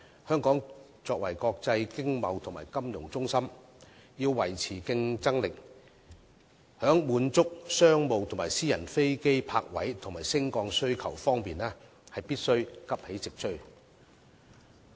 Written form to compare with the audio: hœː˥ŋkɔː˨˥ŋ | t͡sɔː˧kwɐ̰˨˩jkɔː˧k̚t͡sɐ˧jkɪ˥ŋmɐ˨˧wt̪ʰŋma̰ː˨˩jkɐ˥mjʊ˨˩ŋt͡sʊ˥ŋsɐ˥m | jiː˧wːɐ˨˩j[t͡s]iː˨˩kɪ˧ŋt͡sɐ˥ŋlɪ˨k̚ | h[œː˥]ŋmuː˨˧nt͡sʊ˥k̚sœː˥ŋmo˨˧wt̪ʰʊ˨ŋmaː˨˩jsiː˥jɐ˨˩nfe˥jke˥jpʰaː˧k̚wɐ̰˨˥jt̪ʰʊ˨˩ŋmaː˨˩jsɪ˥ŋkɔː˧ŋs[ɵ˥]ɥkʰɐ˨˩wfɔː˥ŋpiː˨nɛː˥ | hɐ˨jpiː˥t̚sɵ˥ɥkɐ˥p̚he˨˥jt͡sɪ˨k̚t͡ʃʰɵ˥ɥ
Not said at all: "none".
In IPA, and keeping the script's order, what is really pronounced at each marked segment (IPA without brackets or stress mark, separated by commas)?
t͡sʰ, œː˨˥, ɵ˥